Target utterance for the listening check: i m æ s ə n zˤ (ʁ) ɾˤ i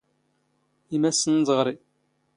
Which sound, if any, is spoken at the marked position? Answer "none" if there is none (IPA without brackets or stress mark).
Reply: ʁ